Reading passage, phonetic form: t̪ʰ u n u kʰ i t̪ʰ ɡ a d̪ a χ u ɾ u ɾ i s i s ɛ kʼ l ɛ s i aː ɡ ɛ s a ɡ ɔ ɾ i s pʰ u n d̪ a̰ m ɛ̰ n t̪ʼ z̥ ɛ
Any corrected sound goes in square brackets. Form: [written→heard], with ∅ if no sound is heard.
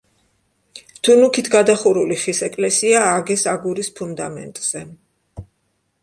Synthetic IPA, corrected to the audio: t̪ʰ u n u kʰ i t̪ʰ ɡ a d̪ a χ u ɾ u [ɾ→l] i [s→χ] i s ɛ kʼ l ɛ s i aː ɡ ɛ s a ɡ [ɔ→u] ɾ i s pʰ u n d̪ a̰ m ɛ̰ n t̪ʼ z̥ ɛ

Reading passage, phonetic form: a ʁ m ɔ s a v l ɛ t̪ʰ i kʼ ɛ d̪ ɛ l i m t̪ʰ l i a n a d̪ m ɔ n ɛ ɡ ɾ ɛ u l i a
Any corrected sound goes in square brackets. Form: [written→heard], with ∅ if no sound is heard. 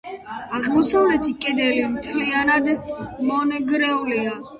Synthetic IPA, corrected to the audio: a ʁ m ɔ s a v l ɛ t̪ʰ i kʼ ɛ d̪ ɛ l i m t̪ʰ l i a n a d̪ m ɔ n ɛ ɡ ɾ ɛ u l i a

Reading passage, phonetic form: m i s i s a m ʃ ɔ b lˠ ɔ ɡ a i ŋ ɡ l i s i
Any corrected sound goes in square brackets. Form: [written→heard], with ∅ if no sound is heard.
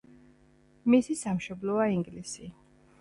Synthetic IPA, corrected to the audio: m i s i s a m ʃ ɔ b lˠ ɔ [ɡ→∅] a i ŋ ɡ l i s i

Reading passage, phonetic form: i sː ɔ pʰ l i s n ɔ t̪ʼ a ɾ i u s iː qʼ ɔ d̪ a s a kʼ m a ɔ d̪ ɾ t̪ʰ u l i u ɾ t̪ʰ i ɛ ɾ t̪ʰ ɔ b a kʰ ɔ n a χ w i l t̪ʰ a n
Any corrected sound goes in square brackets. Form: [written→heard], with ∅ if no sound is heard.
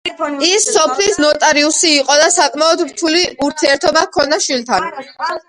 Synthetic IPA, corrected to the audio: i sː ɔ pʰ l i s n ɔ t̪ʼ a ɾ i u s iː qʼ ɔ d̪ a s a kʼ m a ɔ d̪ ɾ t̪ʰ u l i u ɾ t̪ʰ i ɛ ɾ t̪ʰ ɔ b a kʰ ɔ n a [χ→ʃ] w i l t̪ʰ a n

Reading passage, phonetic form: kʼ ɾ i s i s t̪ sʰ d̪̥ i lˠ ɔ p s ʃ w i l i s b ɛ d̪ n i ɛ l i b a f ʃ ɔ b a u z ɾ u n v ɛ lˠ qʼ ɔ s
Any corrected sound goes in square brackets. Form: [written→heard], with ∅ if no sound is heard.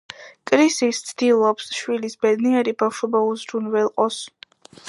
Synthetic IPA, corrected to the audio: kʼ ɾ i s i s t̪ sʰ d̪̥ i lˠ ɔ p s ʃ w i l i s b ɛ d̪ n i ɛ [l→ɾ] i b a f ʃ ɔ b a u z ɾ u n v ɛ lˠ qʼ ɔ s

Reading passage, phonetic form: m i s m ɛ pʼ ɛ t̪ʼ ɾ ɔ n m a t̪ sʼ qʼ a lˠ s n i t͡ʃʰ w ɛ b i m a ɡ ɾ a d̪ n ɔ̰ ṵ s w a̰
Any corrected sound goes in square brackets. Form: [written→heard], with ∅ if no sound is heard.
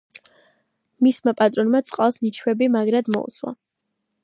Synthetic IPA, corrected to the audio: m i s m [ɛ→a] pʼ [ɛ→a] t̪ʼ ɾ ɔ n m a t̪ sʼ qʼ a lˠ s n i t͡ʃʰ w ɛ b i m a ɡ ɾ a d̪ [n→m] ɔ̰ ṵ s w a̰

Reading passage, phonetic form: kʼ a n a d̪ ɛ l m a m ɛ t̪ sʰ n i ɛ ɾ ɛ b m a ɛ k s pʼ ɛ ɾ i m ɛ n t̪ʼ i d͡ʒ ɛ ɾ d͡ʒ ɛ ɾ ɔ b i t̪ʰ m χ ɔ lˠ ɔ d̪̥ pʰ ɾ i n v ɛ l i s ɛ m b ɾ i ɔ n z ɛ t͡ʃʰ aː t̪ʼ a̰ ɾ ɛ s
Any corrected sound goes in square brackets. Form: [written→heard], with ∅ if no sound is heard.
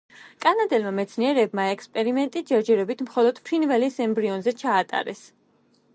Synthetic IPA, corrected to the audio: kʼ a n a d̪ ɛ l m a m ɛ t̪ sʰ n i ɛ ɾ ɛ b m a ɛ k s pʼ ɛ ɾ i m ɛ n t̪ʼ i d͡ʒ ɛ ɾ d͡ʒ ɛ ɾ ɔ b i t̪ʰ m χ ɔ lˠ ɔ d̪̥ pʰ ɾ i n v ɛ l i s ɛ m b ɾ i ɔ n z ɛ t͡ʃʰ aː t̪ʼ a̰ ɾ ɛ s

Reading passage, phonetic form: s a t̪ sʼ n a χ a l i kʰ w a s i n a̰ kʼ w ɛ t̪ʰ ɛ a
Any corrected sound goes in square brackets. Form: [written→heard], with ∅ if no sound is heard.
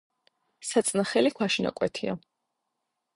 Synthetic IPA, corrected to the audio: s a t̪ sʼ n a χ [a→ɛ] l i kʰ w a [s→ʃ] i n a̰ kʼ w ɛ t̪ʰ [ɛ→i] a

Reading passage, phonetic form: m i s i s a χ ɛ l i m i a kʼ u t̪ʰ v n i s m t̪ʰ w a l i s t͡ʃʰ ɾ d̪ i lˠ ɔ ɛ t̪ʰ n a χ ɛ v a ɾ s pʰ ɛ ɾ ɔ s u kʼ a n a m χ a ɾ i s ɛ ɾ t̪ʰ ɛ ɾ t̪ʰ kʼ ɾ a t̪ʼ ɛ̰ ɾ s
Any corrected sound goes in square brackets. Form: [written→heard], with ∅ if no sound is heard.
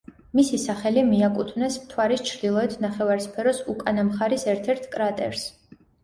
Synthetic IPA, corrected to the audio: m i s i s a χ ɛ l i m i a kʼ u t̪ʰ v n [i→ɛ] s m t̪ʰ w a [l→ɾ] i s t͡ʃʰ ɾ d̪ i lˠ ɔ ɛ t̪ʰ n a χ ɛ v a ɾ s pʰ ɛ ɾ ɔ s u kʼ a n a m χ a ɾ i s ɛ ɾ t̪ʰ ɛ ɾ t̪ʰ kʼ ɾ a t̪ʼ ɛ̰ ɾ s

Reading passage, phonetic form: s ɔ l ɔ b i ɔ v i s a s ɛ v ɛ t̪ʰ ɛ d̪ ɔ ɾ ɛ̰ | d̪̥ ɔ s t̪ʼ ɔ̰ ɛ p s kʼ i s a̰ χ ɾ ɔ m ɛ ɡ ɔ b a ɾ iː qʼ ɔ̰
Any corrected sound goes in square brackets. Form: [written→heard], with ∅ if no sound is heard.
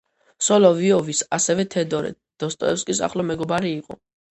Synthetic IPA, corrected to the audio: s ɔ l ɔ [b→v] i ɔ v i s a s ɛ v ɛ t̪ʰ ɛ d̪ ɔ ɾ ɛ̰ | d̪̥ ɔ s t̪ʼ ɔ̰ ɛ p s kʼ i s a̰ χ [ɾ→l] ɔ m ɛ ɡ ɔ b a ɾ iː qʼ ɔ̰

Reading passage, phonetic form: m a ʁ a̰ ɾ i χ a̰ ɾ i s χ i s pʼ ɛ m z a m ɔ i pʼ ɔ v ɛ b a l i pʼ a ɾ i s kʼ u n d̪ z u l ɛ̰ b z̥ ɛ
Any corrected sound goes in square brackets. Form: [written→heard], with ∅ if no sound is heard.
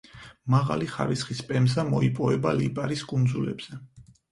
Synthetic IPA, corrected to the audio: m a ʁ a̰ [ɾ→l] i χ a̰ ɾ i s χ i s pʼ ɛ m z a m ɔ i pʼ ɔ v ɛ b a l i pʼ a ɾ i s kʼ u n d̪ z u l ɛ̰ b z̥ ɛ

